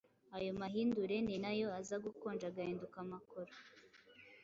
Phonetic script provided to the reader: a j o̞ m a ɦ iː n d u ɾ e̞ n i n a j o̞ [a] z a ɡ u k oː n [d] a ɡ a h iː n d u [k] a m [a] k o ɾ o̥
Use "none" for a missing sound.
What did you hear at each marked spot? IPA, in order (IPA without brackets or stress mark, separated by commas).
a, d͡ʒ, k, a